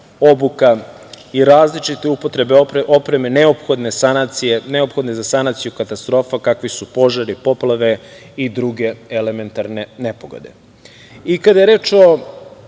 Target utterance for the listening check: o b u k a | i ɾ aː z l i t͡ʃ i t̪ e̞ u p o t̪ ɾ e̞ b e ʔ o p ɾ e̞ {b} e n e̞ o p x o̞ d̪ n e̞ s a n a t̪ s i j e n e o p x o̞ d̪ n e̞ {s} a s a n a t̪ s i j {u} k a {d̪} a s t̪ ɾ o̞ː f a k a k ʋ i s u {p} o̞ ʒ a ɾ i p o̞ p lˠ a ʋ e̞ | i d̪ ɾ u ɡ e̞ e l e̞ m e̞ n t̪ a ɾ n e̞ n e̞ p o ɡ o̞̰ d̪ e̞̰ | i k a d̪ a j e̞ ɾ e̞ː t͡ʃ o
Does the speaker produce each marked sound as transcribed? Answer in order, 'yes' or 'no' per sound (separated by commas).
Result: no, no, yes, no, yes